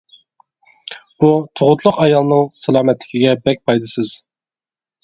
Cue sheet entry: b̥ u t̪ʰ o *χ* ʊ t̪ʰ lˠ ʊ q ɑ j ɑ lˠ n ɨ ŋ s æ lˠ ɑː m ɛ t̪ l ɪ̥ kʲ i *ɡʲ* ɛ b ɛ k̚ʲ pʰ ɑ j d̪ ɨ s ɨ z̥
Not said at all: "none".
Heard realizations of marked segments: ʁ, ɡʲ

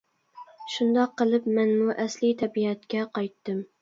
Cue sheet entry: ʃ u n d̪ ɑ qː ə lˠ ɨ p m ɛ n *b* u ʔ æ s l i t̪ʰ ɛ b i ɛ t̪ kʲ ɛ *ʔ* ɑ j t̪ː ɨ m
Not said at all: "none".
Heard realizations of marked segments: m, q

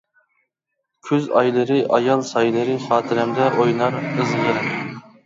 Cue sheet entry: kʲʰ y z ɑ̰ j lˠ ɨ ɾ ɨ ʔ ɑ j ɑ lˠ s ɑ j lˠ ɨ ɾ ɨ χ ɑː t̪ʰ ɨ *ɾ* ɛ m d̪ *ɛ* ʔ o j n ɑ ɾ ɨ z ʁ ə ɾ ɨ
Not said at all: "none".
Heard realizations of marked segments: ɾ, ɛ

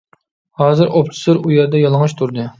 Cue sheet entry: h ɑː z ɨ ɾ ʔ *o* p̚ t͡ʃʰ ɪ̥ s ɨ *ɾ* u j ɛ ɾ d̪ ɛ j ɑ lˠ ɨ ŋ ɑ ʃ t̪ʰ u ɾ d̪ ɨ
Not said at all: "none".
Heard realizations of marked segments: o, ɾ

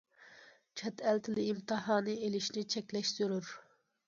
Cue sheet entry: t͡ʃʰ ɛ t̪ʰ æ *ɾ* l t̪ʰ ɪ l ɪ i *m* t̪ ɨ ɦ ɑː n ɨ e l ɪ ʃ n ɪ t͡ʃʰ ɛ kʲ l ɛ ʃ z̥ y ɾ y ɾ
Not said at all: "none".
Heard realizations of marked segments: none, m

